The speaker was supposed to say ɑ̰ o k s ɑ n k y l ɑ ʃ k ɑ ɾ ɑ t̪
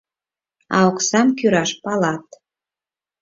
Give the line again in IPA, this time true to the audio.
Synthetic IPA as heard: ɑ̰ o k s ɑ m k y ɾ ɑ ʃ p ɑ l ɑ t̪